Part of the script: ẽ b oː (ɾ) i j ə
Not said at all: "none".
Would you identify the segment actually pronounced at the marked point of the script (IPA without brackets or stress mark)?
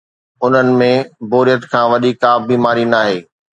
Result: ɾ